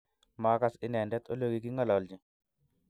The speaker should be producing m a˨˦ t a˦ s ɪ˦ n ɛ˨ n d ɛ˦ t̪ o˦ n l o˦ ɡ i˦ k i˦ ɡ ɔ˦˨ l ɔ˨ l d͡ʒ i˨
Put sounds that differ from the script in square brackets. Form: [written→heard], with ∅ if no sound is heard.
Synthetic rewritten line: m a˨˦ [t→k] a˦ s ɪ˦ n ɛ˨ n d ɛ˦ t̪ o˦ [n→∅] l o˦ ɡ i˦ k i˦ [ɡ→ŋ] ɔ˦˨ l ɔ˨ l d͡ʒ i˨